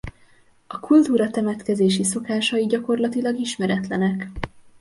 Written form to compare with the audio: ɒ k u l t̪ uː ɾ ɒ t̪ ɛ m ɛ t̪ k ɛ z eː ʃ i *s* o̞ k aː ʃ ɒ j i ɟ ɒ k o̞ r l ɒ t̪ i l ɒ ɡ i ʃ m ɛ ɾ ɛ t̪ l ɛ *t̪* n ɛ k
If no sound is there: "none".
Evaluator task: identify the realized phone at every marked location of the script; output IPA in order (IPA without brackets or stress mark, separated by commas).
s, none